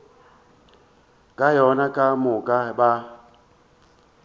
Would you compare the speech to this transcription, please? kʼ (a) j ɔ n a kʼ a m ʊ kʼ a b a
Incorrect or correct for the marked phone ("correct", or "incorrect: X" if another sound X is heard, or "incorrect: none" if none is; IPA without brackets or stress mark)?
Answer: correct